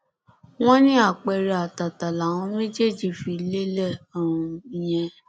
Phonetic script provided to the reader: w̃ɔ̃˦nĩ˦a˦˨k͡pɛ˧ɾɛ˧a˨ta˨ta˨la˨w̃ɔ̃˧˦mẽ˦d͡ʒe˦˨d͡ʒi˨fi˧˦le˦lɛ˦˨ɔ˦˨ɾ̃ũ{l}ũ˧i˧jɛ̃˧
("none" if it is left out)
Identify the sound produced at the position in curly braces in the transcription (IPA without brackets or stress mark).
none